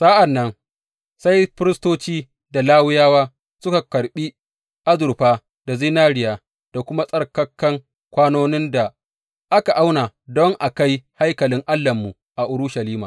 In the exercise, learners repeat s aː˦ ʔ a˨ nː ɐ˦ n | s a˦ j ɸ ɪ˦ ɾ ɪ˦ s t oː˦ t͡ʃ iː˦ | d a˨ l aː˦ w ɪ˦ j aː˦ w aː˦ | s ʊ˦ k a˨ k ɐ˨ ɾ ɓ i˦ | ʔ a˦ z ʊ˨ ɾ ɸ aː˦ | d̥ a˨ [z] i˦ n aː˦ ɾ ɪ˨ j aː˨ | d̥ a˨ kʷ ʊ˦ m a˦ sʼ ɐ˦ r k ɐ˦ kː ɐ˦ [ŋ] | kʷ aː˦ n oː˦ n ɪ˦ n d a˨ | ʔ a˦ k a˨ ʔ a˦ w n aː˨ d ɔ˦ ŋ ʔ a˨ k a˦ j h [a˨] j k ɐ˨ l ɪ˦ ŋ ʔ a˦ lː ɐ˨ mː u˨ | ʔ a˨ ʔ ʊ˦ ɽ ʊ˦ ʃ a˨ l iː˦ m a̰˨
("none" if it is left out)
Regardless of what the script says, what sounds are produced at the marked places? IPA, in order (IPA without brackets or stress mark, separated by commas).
z, ŋ, a˦